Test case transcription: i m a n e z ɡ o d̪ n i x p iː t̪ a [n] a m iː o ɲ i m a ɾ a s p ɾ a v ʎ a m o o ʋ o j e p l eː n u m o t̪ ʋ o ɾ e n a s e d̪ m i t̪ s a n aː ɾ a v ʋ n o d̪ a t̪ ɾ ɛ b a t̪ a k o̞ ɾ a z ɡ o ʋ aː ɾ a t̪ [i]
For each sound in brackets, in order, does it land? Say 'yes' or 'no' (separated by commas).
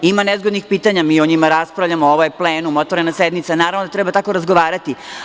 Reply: no, yes